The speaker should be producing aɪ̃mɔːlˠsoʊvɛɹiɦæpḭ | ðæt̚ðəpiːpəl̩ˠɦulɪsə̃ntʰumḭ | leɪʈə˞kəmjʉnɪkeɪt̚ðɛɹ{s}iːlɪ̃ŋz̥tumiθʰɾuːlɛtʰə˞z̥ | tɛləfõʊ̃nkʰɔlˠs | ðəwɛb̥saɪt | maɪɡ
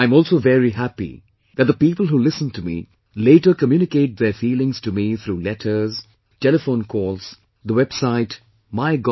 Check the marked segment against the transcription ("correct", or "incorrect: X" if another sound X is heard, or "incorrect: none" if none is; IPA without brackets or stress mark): incorrect: f